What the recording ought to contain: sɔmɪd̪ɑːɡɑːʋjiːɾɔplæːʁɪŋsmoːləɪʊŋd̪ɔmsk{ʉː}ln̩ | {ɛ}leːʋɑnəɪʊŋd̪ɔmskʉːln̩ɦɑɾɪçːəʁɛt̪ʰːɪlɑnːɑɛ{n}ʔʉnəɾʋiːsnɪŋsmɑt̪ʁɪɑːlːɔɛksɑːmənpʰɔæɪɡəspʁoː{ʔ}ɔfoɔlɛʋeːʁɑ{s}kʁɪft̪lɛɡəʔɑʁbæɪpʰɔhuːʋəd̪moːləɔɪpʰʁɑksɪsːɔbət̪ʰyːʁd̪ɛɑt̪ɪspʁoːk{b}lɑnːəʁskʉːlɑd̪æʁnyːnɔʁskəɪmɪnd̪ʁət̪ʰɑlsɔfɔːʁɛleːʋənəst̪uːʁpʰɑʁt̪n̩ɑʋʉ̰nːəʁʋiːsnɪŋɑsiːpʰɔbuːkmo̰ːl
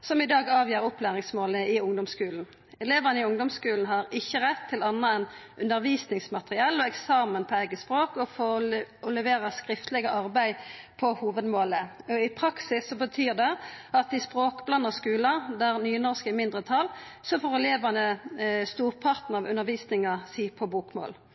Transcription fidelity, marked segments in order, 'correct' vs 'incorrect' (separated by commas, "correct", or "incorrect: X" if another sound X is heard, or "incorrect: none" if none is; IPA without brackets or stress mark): correct, correct, correct, incorrect: k, correct, correct